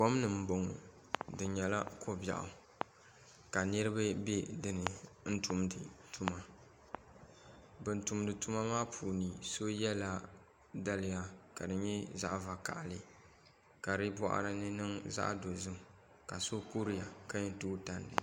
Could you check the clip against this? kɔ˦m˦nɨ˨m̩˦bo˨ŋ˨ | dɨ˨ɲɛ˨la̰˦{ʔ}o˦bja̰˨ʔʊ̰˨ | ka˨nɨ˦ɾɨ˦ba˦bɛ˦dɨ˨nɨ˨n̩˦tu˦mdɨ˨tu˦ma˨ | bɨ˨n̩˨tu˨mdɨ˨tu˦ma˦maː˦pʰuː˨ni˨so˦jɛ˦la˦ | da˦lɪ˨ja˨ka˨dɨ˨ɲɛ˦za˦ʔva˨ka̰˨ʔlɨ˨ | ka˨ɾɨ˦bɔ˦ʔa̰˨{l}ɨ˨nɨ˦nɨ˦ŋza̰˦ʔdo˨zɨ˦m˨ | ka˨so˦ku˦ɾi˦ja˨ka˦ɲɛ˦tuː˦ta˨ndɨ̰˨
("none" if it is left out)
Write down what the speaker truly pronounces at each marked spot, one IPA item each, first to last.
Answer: k, ɾ

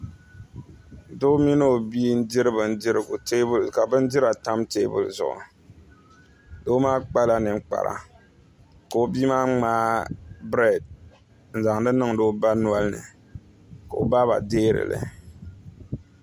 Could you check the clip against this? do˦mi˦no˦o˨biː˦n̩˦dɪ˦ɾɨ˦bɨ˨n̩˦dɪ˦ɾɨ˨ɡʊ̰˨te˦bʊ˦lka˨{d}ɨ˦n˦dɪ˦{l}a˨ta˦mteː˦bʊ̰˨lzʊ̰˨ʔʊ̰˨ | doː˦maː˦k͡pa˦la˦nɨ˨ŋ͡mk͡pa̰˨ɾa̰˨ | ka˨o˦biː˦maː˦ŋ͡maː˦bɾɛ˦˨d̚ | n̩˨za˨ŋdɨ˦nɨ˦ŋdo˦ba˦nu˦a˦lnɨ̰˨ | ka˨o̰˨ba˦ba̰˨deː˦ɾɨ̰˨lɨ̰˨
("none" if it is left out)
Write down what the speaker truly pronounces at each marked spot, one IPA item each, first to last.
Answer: b, ɾ

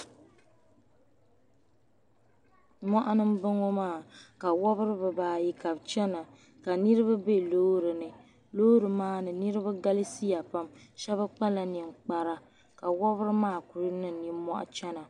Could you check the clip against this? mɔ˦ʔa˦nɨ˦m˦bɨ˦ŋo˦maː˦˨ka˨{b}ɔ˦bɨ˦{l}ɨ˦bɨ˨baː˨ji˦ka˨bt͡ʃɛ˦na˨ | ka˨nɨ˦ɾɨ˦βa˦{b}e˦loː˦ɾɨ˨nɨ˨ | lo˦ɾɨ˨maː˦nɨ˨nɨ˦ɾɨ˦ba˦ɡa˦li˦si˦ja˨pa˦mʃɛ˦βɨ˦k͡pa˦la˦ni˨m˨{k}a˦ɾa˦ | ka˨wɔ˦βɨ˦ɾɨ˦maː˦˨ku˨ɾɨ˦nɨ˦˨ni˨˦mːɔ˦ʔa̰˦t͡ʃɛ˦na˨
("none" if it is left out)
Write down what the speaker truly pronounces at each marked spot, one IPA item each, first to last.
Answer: w, ɾ, b, k͡p

